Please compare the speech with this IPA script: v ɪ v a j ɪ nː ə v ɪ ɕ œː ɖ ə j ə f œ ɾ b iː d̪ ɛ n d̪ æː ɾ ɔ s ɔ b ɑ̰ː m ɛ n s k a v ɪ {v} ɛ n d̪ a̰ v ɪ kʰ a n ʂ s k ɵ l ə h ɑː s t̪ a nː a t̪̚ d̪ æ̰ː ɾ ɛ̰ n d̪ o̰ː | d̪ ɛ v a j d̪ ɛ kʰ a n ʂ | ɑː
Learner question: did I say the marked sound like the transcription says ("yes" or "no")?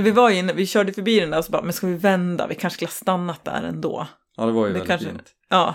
yes